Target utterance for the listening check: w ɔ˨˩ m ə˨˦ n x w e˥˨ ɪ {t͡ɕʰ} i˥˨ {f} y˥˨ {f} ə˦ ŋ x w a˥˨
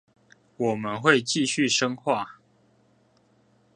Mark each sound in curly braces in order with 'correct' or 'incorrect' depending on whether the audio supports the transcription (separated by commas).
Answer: incorrect, incorrect, incorrect